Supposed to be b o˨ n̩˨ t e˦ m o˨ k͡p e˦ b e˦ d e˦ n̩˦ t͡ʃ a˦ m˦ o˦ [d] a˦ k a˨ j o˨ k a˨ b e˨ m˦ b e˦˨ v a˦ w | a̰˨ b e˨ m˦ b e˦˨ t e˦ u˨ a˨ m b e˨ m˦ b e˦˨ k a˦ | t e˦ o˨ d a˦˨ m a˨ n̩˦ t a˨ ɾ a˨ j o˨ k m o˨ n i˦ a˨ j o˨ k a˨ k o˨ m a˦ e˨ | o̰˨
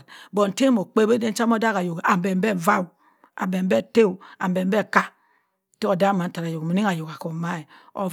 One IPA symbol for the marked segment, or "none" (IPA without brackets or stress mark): d